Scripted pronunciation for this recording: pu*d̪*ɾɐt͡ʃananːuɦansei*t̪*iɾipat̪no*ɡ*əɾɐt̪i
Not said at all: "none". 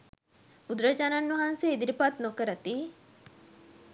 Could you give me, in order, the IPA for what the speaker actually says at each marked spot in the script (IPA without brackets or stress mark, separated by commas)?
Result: d̪, d̪, k